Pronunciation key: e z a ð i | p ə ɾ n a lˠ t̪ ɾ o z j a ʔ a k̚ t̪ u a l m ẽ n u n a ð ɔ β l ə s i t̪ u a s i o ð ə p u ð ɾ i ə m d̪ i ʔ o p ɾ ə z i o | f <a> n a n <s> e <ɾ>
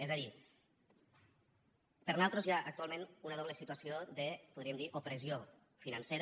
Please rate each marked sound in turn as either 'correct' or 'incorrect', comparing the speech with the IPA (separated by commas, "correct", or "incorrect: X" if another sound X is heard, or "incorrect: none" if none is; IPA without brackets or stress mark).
incorrect: i, correct, correct